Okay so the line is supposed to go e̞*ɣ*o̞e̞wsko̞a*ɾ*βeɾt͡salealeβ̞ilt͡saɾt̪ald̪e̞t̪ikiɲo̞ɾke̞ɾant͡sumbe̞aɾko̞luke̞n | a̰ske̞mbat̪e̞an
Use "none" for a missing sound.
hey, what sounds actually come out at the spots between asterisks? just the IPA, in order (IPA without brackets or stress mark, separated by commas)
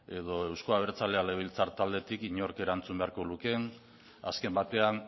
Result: ð, none